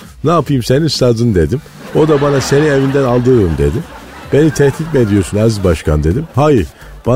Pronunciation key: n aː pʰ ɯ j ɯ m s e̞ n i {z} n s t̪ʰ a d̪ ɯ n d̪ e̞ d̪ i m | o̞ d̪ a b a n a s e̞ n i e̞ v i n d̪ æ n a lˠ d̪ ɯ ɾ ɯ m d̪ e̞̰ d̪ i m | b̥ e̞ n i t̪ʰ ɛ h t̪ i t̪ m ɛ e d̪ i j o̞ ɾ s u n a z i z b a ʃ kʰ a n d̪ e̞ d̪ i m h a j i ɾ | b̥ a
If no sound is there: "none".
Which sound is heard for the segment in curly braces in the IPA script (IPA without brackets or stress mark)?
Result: none